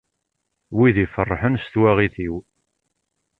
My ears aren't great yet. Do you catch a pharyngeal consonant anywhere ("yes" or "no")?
yes